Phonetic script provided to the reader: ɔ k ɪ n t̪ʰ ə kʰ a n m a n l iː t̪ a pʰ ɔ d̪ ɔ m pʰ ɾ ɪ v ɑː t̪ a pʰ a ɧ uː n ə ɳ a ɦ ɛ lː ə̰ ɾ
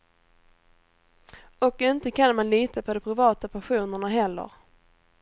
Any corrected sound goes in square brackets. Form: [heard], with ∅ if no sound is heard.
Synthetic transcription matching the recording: ɔ k ɪ n [t̪] ə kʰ a n m a n l iː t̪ a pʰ ɔ d̪ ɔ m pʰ ɾ ɪ v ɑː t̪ a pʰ a ɧ uː n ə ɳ a ɦ ɛ lː ə̰ ɾ